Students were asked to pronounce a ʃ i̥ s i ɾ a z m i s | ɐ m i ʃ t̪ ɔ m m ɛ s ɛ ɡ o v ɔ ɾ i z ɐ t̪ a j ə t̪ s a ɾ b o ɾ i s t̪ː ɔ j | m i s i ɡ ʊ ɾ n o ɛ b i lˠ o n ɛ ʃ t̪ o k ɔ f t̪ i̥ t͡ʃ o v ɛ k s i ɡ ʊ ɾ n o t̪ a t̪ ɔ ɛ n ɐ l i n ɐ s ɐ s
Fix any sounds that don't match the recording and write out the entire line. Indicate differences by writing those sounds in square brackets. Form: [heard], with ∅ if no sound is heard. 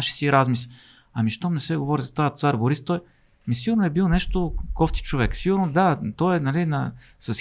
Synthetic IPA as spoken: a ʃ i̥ s i ɾ a z m i s | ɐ m i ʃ t̪ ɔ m [n] ɛ s ɛ ɡ o v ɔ ɾ i z ɐ t̪ a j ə t̪ s a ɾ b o ɾ i s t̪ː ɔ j | m i s i ɡ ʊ ɾ n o ɛ b i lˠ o n ɛ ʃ t̪ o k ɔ f t̪ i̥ t͡ʃ o v ɛ k s i ɡ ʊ ɾ n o [d̪] a t̪ ɔ ɛ n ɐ l i n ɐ s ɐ s